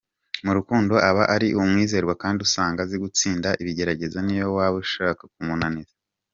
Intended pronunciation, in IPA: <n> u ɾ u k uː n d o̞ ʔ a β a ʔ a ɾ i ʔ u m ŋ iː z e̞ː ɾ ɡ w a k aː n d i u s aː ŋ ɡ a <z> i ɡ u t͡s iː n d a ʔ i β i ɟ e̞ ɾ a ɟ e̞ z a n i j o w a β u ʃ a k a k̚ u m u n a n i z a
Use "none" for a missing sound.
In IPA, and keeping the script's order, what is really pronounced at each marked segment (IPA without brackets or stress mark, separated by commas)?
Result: m, z